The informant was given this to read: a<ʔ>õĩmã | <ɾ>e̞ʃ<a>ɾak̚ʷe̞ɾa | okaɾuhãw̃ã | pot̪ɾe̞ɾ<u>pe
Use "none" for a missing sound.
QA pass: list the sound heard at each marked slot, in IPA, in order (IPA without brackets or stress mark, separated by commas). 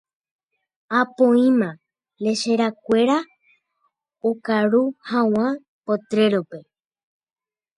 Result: p, l, e, o